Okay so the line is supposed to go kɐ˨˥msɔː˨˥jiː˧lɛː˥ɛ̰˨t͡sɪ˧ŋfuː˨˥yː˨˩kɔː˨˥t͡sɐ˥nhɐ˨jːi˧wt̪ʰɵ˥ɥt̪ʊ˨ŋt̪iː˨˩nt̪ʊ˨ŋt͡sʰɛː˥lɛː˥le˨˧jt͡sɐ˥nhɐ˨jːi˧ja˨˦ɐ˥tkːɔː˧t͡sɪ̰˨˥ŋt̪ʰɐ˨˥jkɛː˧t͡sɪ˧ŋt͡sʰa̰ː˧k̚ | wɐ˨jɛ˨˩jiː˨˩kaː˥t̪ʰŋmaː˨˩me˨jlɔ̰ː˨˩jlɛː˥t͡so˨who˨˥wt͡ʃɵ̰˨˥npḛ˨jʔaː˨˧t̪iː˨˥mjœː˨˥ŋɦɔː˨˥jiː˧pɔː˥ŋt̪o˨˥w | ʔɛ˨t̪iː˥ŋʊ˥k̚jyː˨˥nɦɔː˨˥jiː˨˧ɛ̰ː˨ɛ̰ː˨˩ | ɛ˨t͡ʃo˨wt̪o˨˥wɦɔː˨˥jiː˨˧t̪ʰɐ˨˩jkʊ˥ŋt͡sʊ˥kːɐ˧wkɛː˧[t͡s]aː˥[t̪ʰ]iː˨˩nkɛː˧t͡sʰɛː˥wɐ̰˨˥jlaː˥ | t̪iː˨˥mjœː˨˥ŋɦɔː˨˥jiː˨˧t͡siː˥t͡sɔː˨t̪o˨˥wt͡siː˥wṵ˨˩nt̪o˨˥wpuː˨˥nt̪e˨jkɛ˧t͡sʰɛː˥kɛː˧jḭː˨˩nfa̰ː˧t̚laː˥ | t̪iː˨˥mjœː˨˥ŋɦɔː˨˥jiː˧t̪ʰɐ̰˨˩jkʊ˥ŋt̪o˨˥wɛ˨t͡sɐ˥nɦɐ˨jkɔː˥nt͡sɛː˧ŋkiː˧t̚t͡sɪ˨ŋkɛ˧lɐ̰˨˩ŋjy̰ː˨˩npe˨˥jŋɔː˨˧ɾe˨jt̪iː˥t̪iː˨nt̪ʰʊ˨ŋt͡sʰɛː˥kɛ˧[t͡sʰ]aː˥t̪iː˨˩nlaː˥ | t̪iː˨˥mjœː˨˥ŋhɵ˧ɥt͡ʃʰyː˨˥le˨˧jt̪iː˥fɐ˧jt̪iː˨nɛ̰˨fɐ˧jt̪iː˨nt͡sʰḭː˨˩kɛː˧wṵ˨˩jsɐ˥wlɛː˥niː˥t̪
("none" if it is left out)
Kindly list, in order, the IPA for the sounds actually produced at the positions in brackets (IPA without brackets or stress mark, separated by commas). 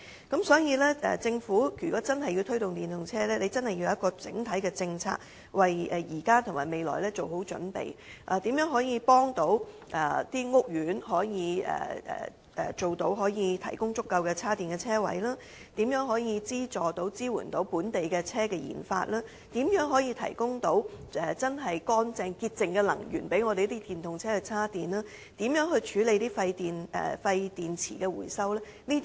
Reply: t͡sʰ, t̪, t͡sʰ